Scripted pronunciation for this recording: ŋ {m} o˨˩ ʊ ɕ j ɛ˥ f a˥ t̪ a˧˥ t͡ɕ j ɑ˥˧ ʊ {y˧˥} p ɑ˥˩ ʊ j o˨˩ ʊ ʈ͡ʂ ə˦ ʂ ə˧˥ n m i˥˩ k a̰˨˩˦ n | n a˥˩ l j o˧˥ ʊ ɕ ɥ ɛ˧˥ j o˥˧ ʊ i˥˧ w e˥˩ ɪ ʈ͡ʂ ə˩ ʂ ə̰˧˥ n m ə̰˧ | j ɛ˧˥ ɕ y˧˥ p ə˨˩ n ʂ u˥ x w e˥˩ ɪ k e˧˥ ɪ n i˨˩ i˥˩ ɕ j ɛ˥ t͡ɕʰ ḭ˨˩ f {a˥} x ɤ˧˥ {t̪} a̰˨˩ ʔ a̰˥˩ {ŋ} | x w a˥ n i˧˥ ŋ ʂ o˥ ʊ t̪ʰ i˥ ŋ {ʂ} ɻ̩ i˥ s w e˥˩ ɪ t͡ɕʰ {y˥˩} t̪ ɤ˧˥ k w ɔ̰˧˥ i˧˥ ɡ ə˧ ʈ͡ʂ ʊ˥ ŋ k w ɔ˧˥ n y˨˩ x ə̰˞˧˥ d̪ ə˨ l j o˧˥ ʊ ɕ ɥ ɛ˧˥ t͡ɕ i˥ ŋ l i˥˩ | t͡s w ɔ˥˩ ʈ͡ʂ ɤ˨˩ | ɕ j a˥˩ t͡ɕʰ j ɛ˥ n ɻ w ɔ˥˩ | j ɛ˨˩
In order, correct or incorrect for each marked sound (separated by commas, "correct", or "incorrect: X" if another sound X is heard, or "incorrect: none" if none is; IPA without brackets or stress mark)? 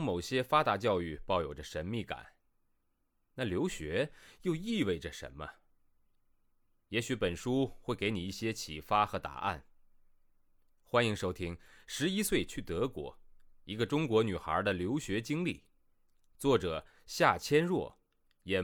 correct, incorrect: y˥˧, correct, correct, incorrect: n, correct, correct